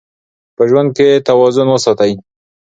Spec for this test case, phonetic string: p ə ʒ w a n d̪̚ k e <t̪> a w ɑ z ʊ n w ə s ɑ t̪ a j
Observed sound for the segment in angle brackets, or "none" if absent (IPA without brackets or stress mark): t̪